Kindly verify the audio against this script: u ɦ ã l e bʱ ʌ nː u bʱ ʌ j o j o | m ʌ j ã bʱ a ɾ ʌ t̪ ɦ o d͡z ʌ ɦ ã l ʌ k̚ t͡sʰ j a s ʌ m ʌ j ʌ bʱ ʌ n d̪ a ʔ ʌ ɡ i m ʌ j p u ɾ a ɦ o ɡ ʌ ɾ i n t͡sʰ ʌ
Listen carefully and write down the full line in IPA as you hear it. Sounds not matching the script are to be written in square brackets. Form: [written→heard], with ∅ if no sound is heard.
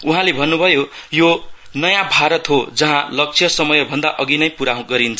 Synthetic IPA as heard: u ɦ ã l e bʱ ʌ nː u bʱ ʌ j o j o | [m→n] ʌ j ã bʱ a ɾ ʌ t̪ ɦ o d͡z ʌ ɦ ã l ʌ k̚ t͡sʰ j [a→ʌ] s ʌ m ʌ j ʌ bʱ ʌ n d̪ a ʔ ʌ ɡ i [m→n] ʌ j p u ɾ a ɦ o ɡ ʌ ɾ i n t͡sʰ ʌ